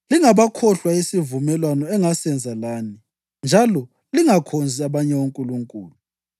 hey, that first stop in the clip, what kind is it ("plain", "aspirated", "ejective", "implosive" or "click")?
aspirated